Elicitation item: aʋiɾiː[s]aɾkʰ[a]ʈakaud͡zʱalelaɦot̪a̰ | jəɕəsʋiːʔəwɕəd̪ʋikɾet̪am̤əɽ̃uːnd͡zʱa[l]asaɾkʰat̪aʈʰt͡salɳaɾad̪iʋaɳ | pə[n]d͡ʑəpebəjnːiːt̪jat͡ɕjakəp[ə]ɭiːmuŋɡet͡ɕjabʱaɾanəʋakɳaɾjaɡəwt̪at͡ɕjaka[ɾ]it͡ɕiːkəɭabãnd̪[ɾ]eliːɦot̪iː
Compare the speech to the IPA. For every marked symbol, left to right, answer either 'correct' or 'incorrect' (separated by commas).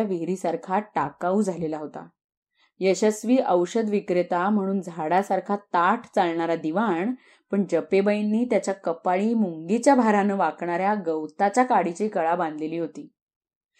correct, correct, incorrect, incorrect, incorrect, incorrect, incorrect